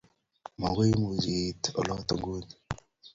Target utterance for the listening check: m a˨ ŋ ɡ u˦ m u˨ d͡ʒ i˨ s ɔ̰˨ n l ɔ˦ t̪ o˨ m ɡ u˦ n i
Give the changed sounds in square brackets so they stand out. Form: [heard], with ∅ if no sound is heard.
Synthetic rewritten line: m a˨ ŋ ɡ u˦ m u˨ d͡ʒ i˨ [t] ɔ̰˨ [∅] l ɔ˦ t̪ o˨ [ŋ] ɡ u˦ n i